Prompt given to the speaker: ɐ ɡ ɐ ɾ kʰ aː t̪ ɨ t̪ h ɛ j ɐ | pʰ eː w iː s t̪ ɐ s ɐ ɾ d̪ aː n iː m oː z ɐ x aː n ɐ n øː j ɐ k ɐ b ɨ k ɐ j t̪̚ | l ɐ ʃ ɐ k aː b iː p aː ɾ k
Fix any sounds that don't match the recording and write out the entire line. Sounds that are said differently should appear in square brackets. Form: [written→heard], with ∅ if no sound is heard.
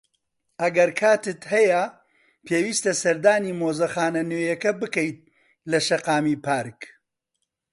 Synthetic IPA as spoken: ɐ ɡ ɐ ɾ kʰ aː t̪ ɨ t̪ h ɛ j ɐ | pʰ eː w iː s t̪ ɐ s ɐ ɾ d̪ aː n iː m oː z ɐ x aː n ɐ n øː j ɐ k ɐ b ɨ k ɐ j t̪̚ | l ɐ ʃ ɐ [k→q] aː [b→m] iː p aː ɾ k